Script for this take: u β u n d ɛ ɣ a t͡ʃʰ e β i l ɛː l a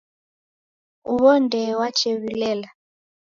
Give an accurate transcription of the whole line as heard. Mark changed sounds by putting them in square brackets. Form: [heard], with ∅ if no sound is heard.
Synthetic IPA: u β [ɔ] n d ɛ [w] a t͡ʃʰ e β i l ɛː l a